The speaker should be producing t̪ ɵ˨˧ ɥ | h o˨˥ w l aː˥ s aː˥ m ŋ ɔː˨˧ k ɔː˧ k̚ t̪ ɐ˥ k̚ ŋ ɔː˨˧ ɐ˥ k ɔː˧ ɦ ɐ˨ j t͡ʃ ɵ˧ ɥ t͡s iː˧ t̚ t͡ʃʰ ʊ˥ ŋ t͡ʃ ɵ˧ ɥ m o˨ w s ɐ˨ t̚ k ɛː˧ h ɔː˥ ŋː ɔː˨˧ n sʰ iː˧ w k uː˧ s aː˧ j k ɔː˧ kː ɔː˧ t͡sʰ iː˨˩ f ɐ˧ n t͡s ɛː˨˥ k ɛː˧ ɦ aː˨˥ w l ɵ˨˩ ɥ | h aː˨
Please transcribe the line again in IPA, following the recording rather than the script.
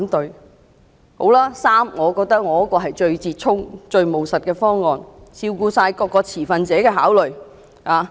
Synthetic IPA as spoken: t̪ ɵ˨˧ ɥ | h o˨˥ w l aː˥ s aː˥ m ŋ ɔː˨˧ k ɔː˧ k̚ t̪ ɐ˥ k̚ ŋ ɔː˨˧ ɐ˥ k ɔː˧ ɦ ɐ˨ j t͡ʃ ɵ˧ ɥ t͡s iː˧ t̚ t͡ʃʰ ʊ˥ ŋ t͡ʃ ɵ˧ ɥ m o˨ w s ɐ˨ t̚ k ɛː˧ f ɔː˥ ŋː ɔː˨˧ n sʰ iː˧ w k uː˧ s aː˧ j k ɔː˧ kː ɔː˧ t͡sʰ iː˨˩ f ɐ˧ n t͡s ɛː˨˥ k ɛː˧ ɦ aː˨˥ w l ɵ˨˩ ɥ | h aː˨